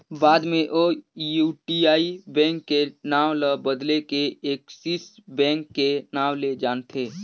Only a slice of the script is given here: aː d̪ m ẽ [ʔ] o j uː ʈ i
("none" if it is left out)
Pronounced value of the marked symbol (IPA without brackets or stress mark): ʔ